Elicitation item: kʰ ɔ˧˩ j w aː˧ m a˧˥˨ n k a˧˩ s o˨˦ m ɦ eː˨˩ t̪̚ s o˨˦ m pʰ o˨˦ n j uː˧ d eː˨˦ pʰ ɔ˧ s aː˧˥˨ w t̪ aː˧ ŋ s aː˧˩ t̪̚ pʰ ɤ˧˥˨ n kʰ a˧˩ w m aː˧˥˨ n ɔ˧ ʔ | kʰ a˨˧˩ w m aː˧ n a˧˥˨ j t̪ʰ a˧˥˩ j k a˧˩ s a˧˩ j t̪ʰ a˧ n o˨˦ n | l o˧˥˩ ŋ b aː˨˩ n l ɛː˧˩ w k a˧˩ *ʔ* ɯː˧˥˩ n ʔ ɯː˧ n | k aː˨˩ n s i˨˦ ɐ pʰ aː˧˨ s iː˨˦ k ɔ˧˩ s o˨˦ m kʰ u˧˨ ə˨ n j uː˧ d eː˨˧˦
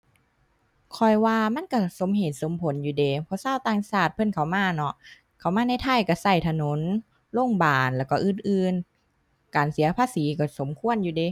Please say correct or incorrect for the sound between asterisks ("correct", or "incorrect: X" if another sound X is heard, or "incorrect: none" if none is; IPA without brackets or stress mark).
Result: correct